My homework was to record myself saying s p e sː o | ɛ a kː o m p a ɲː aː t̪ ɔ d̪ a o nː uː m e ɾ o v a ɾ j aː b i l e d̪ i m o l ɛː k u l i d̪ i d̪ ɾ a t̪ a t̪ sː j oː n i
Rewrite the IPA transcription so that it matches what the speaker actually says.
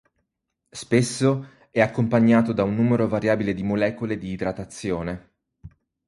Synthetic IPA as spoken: s p e sː o | ɛ a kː o m p a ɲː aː t̪ o d̪ a u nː uː m e ɾ o v a ɾ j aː b i l e d̪ i m o l ɛː k o l e d̪ iː d̪ ɾ a t̪ a t̪ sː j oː n e